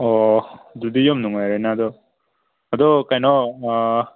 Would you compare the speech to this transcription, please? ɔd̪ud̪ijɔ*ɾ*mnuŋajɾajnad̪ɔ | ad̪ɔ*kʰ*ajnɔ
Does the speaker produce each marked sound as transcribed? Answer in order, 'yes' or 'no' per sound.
no, no

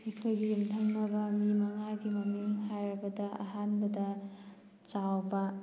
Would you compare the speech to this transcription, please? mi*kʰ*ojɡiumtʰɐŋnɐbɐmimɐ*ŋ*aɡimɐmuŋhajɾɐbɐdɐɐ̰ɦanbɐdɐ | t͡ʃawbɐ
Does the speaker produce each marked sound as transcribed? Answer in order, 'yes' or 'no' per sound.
yes, yes

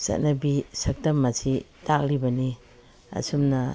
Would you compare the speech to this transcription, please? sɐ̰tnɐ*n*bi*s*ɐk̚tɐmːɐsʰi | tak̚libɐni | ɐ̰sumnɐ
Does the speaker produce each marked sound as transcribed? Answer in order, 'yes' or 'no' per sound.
no, yes

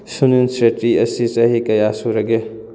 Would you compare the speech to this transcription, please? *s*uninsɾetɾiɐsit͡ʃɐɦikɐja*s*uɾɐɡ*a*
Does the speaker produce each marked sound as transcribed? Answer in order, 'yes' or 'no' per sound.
yes, yes, no

